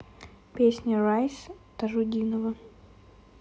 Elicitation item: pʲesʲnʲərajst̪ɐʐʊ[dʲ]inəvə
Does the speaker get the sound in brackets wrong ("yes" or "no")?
no